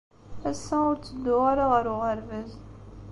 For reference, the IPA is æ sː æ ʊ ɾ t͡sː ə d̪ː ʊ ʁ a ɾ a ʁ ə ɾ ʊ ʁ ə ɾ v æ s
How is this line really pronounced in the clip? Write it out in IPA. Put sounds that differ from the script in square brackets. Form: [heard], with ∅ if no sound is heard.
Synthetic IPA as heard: æ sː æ ʊ ɾ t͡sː ə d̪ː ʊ ʁ a ɾ a ʁ ə ɾ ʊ ʁ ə ɾ v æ [z]